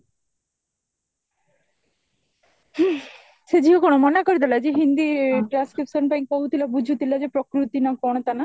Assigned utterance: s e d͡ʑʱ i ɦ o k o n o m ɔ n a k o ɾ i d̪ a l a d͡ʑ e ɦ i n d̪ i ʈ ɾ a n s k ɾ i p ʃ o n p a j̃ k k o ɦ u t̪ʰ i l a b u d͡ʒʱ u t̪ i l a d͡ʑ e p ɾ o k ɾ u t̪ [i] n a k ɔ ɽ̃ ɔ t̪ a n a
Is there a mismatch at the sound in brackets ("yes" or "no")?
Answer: no